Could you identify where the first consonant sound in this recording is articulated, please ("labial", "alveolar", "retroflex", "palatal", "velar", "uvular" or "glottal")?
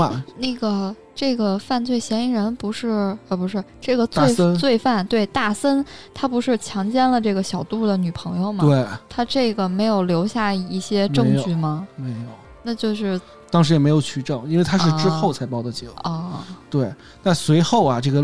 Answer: alveolar